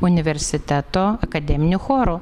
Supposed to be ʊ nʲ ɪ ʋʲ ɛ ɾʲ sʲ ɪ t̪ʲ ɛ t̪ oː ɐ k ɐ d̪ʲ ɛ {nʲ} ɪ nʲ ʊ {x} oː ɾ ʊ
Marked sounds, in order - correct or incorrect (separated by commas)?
incorrect, correct